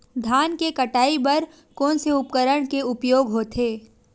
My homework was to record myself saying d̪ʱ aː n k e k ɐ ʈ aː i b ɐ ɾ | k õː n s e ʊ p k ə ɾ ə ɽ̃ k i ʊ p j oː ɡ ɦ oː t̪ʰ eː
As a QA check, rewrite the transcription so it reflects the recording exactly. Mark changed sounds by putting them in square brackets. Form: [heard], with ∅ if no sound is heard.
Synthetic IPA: d̪ʱ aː n k e k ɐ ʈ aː i b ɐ ɾ | k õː n s e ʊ p k ə ɾ ə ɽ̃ k [e] ʊ p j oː ɡ ɦ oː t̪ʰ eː